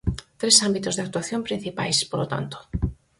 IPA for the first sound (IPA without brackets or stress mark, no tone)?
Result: t̪